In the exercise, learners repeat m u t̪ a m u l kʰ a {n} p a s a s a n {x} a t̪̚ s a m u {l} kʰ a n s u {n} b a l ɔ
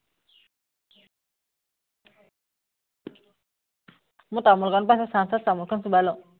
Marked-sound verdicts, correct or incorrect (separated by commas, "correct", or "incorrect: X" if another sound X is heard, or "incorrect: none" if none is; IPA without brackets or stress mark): correct, incorrect: s, correct, incorrect: none